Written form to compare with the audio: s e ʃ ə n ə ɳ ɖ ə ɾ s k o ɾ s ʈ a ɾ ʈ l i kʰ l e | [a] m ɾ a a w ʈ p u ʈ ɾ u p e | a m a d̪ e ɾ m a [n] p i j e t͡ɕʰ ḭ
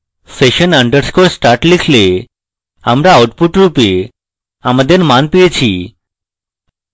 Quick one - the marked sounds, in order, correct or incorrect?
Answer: correct, correct

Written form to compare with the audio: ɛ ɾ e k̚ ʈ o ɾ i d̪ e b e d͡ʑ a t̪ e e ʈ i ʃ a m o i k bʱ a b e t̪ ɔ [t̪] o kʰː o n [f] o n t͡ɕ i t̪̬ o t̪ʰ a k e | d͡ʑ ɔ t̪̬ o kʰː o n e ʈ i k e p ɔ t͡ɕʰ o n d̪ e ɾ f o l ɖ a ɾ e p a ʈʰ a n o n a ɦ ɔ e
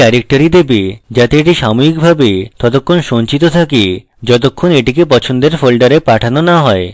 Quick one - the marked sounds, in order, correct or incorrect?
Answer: correct, incorrect: ʃ

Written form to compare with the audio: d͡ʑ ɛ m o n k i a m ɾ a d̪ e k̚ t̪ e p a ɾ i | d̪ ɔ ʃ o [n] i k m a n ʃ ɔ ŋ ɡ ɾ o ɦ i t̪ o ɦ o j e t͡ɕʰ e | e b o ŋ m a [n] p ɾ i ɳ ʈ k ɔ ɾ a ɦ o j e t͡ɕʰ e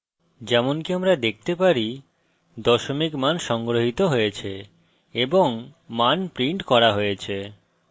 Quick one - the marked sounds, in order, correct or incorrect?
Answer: incorrect: m, correct

